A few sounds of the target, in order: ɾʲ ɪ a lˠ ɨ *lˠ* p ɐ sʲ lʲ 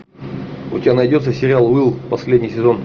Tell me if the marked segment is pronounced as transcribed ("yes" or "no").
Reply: yes